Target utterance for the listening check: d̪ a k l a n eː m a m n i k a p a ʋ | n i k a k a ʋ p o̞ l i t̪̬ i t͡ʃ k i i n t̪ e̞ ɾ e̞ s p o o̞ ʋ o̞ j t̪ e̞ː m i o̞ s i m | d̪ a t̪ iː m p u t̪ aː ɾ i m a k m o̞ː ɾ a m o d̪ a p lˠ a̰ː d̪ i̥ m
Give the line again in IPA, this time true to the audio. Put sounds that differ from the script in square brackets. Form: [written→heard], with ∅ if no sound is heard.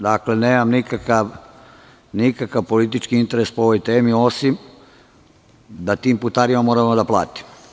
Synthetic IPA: d̪ a k l [a→e] n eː m a m n i k a [p→k] a ʋ | n i k a k a ʋ p o̞ l i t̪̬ i t͡ʃ k i i n t̪ e̞ ɾ e̞ s p o o̞ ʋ o̞ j t̪ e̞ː m i o̞ s i m | d̪ a t̪ iː m p u t̪ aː ɾ i m a [k→∅] m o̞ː ɾ a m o d̪ a p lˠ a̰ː [d̪→t̪] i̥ m

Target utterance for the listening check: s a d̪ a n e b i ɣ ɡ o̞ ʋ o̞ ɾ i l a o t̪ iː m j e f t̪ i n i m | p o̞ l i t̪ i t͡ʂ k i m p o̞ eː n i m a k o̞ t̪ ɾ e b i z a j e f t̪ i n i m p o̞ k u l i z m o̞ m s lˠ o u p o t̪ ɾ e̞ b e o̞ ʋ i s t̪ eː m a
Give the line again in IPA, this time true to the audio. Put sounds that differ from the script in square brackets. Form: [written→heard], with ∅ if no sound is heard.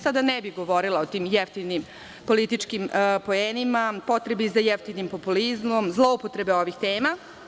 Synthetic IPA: s a d̪ a n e b i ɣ ɡ o̞ ʋ o̞ ɾ i l a o t̪ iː m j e f t̪ i n i m | p o̞ l i t̪ i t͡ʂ k i m p o̞ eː n i m a [k→p] o̞ t̪ ɾ e b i z a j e f t̪ i n i m p o̞ [k→p] u l i z m o̞ m [s→z] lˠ o u p o t̪ ɾ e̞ b e o̞ ʋ i [s→x] t̪ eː m a

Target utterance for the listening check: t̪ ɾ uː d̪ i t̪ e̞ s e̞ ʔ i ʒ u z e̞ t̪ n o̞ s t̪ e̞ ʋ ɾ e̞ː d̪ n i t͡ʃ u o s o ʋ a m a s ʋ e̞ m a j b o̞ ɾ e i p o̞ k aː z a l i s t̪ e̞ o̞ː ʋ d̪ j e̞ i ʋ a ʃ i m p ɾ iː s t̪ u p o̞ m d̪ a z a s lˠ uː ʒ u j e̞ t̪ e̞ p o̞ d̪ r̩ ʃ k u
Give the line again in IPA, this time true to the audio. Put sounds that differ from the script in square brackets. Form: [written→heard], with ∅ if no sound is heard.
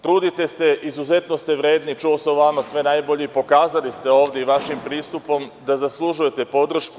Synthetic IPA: t̪ ɾ uː d̪ i t̪ e̞ s e̞ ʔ i [ʒ→z] u z e̞ t̪ n o̞ s t̪ e̞ ʋ ɾ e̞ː d̪ n i t͡ʃ u o s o ʋ a m a s ʋ e̞ [m→n] a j b o̞ [ɾ→ʎ] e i p o̞ k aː z a l i s t̪ e̞ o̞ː ʋ d̪ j e̞ i ʋ a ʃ i m p ɾ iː s t̪ u p o̞ m d̪ a z a s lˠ [uː→u] ʒ u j e̞ t̪ e̞ p o̞ d̪ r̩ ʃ k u

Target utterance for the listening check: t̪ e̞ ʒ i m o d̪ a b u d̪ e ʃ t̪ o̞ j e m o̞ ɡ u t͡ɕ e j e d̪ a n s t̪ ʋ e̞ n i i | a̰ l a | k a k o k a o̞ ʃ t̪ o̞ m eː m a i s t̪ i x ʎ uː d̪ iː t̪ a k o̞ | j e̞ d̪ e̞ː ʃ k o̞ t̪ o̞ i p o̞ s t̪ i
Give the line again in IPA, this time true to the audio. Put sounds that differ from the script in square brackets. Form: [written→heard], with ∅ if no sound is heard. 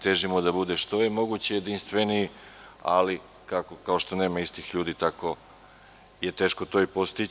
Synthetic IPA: t̪ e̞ ʒ i m o d̪ a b u d̪ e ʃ t̪ o̞ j e m o̞ ɡ u t͡ɕ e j e d̪ [a→i] n s t̪ ʋ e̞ n i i | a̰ l [a→i] | k a k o k a o̞ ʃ t̪ o̞ [m→n] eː m a i s t̪ i x ʎ uː d̪ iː t̪ a k o̞ | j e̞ [d̪→t̪] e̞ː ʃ k o̞ t̪ o̞ i p o̞ s t̪ i

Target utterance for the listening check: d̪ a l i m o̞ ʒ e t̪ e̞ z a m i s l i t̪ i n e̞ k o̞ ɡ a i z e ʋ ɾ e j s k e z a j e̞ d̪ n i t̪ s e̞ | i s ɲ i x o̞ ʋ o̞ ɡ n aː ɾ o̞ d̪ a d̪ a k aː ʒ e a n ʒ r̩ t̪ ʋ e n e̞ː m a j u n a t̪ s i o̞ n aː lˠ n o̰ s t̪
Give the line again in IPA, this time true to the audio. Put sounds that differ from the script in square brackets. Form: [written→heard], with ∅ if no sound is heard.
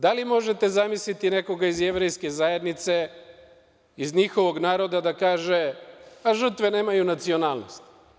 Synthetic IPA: d̪ a l i m o̞ ʒ e t̪ e̞ z a m i s l i t̪ i n e̞ k o̞ ɡ a i z e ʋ ɾ e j s k e z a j e̞ d̪ n i t̪ s e̞ | i [s→z] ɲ i x o̞ ʋ o̞ ɡ n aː ɾ o̞ d̪ a d̪ a k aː ʒ e a [n→∅] ʒ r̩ t̪ ʋ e n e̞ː m a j u n a t̪ s i o̞ n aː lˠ n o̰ s t̪

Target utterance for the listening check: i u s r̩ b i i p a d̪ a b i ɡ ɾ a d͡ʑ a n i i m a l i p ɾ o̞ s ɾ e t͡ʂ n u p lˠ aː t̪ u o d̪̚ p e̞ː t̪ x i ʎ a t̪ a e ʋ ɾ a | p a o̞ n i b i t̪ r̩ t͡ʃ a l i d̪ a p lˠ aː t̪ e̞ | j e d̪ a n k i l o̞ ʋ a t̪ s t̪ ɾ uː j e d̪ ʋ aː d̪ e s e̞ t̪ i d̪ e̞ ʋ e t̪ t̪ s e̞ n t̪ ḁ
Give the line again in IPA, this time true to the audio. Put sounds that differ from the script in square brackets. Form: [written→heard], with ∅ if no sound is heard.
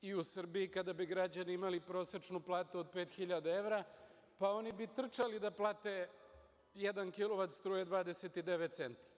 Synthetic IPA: i u s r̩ b i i [p→k] a d̪ a b i ɡ ɾ a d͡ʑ a n i i m a l i p ɾ o̞ s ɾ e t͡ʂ n u p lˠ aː t̪ u o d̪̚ p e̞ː t̪ x i ʎ a [t̪→d̪] a e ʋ ɾ a | p a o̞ n i b i t̪ r̩ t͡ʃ a l i d̪ a p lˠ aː t̪ e̞ | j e d̪ a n k i l o̞ ʋ a t̪ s t̪ ɾ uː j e d̪ ʋ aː d̪ e s e̞ t̪ i d̪ e̞ ʋ e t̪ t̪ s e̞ n t̪ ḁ

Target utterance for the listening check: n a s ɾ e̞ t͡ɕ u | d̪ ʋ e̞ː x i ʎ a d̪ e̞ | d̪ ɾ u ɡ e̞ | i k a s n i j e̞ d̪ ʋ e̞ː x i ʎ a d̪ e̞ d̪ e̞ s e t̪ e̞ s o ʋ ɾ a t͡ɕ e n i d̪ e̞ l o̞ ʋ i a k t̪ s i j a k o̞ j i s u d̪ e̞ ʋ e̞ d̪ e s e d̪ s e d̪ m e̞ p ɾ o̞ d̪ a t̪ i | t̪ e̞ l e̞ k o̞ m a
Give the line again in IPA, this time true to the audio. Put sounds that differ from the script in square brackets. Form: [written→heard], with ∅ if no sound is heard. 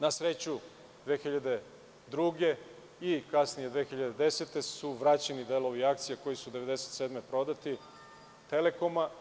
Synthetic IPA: n a s ɾ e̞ t͡ɕ u | d̪ ʋ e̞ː x i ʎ a d̪ e̞ | d̪ ɾ u ɡ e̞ | i k a s n i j e̞ d̪ ʋ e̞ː x i ʎ a d̪ e̞ d̪ e̞ s e t̪ e̞ s [o→u] ʋ ɾ a t͡ɕ e n i d̪ e̞ l o̞ ʋ i a k t̪ s i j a k o̞ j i s u d̪ e̞ ʋ e̞ d̪ e s e [d̪→t̪] s e d̪ m e̞ p ɾ o̞ d̪ a t̪ i | t̪ e̞ l e̞ k o̞ m a

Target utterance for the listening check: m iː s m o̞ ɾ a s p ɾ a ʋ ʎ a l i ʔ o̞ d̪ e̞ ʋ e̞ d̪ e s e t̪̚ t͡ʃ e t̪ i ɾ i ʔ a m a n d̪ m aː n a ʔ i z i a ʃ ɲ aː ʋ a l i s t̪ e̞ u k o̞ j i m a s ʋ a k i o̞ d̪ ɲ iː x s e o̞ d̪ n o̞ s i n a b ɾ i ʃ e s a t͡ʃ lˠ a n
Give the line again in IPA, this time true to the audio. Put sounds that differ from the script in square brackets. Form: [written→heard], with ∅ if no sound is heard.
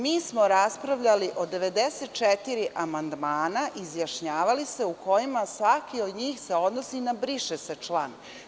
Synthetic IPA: m iː s m o̞ ɾ a s p ɾ a ʋ ʎ a l i ʔ o̞ d̪ e̞ ʋ e̞ d̪ e s e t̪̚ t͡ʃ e t̪ i ɾ i ʔ a m a n d̪ m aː n a ʔ i z [i→j] a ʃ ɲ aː ʋ a l i s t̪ e̞ u k o̞ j i m a s ʋ a k i o̞ d̪ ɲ iː x s e o̞ d̪ n o̞ s i n a b ɾ i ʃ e s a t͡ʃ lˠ a n

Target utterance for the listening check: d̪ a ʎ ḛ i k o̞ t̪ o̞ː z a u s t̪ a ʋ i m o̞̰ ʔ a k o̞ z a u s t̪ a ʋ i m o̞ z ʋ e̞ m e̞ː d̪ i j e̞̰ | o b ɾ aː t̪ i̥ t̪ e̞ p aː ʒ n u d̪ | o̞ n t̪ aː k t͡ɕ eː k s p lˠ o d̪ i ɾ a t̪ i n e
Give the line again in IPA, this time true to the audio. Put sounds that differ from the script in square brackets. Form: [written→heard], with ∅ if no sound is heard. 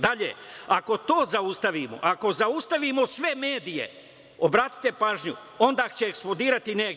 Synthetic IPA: d̪ a ʎ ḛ [i→a] k o̞ t̪ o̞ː z a u s t̪ a ʋ i m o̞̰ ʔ a k o̞ z a u s t̪ a ʋ i m o̞ [z→s] ʋ e̞ m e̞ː d̪ i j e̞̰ | o b ɾ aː t̪ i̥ t̪ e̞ p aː ʒ [n→ɲ] u [d̪→∅] | o̞ n [t̪→d̪] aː k t͡ɕ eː k s p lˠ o d̪ [i→iː] ɾ a t̪ i n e

